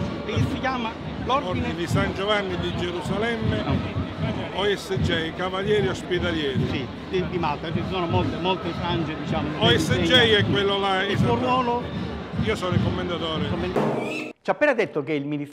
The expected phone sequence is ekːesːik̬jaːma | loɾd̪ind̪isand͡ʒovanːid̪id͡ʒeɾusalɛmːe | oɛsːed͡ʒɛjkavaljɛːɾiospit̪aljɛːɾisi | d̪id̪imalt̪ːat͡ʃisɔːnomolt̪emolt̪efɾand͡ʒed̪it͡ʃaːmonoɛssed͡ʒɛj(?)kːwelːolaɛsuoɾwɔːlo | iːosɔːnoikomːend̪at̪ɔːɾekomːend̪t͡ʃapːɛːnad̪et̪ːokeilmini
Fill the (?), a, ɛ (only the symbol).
ɛ